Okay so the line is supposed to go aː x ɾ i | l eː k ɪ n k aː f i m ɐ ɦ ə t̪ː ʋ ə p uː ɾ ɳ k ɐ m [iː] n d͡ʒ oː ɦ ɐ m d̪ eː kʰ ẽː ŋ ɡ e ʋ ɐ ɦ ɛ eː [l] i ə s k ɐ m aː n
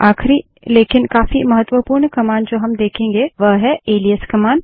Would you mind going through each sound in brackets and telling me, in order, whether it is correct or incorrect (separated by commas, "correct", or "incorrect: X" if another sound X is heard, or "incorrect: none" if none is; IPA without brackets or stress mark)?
incorrect: aː, correct